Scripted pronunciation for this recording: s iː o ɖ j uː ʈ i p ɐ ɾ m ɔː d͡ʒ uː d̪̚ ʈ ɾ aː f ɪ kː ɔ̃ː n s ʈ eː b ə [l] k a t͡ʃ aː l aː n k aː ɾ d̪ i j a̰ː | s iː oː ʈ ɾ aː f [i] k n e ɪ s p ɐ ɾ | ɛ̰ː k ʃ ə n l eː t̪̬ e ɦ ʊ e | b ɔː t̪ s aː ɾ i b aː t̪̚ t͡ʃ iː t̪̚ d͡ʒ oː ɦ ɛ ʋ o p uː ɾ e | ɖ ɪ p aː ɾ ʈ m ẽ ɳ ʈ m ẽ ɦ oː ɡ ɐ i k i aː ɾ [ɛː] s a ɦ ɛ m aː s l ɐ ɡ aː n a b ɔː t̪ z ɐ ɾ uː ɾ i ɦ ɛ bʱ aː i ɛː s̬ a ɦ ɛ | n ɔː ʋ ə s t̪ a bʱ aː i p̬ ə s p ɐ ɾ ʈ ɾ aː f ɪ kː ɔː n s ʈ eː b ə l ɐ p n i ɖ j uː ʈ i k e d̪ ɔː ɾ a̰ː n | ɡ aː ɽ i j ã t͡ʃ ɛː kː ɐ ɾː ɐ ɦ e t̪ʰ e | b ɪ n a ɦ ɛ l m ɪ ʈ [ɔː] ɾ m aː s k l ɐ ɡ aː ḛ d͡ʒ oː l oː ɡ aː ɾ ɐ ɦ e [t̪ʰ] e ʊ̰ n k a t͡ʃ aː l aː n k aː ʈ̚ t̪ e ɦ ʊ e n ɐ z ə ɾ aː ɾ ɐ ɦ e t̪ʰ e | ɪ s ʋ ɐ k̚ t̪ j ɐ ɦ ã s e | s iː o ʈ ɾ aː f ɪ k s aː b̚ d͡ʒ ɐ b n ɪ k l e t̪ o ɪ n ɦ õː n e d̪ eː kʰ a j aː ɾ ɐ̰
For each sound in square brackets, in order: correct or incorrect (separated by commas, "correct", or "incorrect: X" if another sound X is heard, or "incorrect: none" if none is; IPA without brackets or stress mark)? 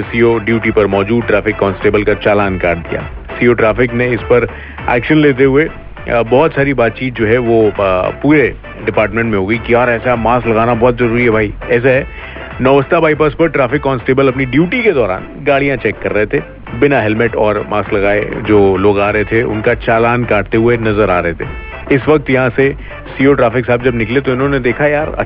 correct, incorrect: ɪ, correct, correct, correct